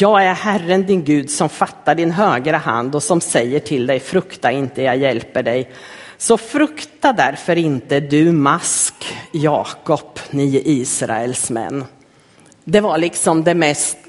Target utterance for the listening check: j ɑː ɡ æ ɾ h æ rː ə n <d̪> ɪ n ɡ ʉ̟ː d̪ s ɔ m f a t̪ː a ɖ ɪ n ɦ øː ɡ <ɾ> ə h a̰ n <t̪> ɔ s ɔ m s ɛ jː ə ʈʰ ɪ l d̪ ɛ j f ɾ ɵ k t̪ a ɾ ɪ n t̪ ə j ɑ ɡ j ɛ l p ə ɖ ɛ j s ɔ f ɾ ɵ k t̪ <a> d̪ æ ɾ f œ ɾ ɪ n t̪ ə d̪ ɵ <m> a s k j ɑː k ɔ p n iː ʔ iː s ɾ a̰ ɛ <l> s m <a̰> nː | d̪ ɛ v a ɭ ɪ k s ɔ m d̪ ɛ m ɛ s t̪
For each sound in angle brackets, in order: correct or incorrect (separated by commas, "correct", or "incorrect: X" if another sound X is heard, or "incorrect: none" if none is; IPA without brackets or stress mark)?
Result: correct, correct, incorrect: d̪, correct, correct, correct, incorrect: ɛ̰